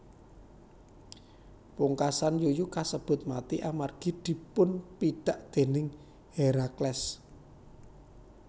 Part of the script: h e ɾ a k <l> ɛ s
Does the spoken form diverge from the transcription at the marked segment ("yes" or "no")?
no